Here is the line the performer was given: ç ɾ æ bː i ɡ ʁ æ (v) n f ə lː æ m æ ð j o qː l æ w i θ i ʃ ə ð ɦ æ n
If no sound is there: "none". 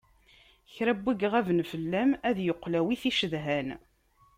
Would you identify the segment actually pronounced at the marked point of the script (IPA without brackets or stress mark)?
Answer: v